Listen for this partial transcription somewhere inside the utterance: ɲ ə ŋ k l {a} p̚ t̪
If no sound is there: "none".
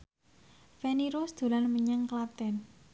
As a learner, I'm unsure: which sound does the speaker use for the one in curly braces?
a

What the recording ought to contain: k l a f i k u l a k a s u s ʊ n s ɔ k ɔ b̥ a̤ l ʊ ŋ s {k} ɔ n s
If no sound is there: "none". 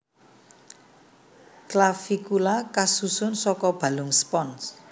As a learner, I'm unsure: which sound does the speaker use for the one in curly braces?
p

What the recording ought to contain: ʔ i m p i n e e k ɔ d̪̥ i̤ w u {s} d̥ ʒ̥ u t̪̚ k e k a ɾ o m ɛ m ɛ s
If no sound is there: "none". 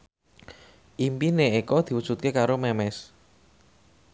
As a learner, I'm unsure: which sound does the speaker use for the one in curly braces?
none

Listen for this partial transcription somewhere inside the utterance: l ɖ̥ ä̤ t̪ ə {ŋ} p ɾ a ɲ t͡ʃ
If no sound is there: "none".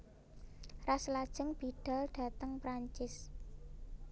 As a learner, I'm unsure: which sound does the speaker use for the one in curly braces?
ŋ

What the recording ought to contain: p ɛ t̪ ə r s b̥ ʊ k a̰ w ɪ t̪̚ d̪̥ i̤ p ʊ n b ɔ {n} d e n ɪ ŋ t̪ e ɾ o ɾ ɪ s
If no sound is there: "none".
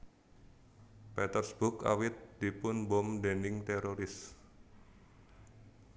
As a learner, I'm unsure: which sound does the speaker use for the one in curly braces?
m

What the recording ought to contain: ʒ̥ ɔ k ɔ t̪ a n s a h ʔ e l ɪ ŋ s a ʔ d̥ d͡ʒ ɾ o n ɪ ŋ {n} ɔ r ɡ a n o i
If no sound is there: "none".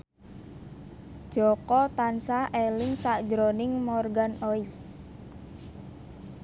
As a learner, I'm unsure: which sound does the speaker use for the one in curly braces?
m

